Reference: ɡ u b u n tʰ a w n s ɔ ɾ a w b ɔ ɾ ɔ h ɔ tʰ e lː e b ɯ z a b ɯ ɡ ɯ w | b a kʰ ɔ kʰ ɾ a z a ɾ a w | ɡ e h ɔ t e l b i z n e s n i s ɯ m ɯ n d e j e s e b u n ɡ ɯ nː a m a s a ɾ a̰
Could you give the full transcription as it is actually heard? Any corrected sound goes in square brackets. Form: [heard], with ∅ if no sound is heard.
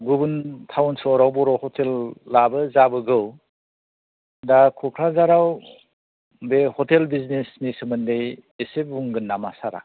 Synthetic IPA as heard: ɡ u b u n tʰ a w n s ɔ ɾ a w b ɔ ɾ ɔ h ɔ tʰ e lː [a] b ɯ z a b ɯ ɡ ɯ w | [d] a kʰ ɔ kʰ ɾ a z a ɾ a w | [b] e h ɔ t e l b i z n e s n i s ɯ m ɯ n d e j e s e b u [ŋ] ɡ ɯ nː a m a s a ɾ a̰

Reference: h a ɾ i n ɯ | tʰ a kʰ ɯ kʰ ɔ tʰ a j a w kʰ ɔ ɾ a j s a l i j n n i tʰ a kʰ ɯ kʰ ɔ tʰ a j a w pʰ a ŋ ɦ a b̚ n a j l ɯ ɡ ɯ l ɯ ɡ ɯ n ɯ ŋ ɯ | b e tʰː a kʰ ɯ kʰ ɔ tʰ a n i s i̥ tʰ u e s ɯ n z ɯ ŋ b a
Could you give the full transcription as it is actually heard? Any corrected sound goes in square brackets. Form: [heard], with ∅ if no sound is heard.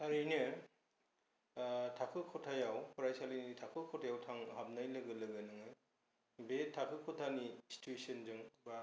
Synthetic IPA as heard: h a ɾ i n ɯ | tʰ a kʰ ɯ kʰ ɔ tʰ a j a w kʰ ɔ ɾ a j s a l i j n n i tʰ a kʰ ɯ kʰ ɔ tʰ a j a w [tʰ] a ŋ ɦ a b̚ n a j l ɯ ɡ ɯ l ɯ ɡ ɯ n ɯ ŋ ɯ | b e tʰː a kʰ ɯ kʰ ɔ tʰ a n i s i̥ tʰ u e s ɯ n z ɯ ŋ b a

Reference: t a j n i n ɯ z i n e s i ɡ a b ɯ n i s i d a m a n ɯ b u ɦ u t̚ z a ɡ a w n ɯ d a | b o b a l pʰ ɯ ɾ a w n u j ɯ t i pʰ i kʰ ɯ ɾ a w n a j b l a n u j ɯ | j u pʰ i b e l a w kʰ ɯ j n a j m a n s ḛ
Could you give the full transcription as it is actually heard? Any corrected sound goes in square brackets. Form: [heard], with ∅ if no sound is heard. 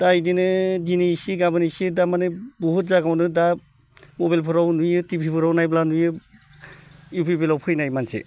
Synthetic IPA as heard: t a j [d] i n ɯ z i n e s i ɡ a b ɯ n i s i d a m a n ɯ b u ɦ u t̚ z a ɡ a w n ɯ d a | [m] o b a l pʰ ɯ ɾ a w n u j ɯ t i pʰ i [pʰ] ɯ ɾ a w n a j b l a n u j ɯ | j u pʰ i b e l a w [pʰ] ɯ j n a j m a n s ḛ

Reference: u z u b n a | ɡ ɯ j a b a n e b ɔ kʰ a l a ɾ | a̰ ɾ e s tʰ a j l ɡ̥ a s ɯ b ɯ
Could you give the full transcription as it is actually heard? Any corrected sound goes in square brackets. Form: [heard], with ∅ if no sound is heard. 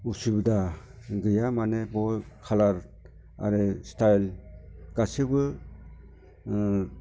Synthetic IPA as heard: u [s] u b [d] a | ɡ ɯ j a [m] a n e b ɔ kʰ a l a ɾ | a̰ ɾ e s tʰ a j l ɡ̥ a s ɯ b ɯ

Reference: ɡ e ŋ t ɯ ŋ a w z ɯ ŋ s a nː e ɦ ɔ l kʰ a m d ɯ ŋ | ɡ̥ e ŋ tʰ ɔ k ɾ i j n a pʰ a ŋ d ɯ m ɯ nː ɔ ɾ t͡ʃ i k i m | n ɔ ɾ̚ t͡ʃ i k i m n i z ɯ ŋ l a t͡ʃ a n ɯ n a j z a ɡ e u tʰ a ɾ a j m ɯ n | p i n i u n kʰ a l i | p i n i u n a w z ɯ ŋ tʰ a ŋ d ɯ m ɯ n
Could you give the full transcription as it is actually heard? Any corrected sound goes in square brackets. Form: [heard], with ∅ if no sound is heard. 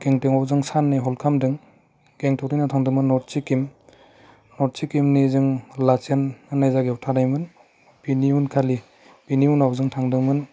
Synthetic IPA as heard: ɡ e ŋ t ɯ ŋ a w z ɯ ŋ s a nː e ɦ ɔ l kʰ a m d ɯ ŋ | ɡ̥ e ŋ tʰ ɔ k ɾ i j n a [tʰ] a ŋ d ɯ m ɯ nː ɔ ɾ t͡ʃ i k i m | n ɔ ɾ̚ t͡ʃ i k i m n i z ɯ ŋ l a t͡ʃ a n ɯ n a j z a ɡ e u tʰ a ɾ a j m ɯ n | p i n i u n kʰ a l i | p i n i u n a w z ɯ ŋ tʰ a ŋ d ɯ m ɯ n

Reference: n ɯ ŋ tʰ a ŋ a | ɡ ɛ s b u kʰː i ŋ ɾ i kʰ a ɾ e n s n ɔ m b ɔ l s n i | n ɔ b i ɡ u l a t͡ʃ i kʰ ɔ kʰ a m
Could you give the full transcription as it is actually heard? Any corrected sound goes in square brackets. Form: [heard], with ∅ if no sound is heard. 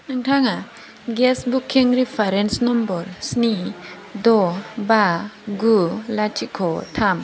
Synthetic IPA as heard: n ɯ ŋ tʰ a ŋ a | ɡ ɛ s b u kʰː i ŋ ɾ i [pʰ] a ɾ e n s n ɔ m b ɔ [ɾ] s n i | [d] ɔ b [a] ɡ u l a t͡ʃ i kʰ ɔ [tʰ] a m

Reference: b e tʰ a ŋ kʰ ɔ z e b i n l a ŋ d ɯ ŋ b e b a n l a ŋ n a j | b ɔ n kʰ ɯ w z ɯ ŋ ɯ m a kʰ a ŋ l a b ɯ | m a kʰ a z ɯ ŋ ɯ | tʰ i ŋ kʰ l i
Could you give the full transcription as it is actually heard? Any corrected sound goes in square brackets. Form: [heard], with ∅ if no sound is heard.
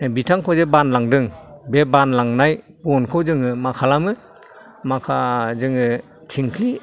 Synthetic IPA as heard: b [i] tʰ a ŋ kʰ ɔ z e b [a] n l a ŋ d ɯ ŋ b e b a n l a ŋ n a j | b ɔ n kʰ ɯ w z ɯ ŋ ɯ m a kʰ a [∅] l a [m] ɯ | m a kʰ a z ɯ ŋ ɯ | tʰ i ŋ kʰ l i

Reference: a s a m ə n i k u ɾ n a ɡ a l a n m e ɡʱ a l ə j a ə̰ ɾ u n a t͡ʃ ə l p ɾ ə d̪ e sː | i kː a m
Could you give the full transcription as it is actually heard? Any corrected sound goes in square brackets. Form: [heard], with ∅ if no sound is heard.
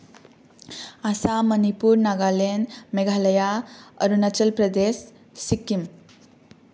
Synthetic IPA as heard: a s a m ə n i [p] u ɾ n a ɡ a l [e] n m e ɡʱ a l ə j a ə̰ ɾ u n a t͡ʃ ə l p ɾ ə d̪ e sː | i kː [i] m

